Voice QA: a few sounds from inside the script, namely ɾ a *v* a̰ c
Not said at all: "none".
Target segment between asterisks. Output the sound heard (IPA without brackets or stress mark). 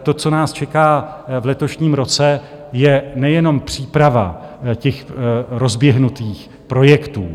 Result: v